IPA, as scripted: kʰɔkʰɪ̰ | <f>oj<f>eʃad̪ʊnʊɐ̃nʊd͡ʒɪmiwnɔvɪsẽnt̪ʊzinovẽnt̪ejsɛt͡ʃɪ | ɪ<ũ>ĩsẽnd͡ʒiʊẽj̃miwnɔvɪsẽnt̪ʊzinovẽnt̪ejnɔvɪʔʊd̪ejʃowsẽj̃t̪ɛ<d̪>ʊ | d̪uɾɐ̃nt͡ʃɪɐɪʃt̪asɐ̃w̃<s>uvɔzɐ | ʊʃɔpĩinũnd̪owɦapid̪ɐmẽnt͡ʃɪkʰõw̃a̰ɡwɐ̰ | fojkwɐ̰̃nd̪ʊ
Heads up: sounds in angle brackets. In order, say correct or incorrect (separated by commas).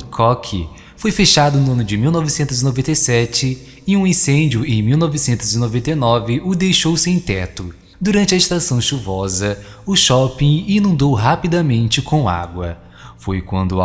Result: correct, correct, correct, incorrect, incorrect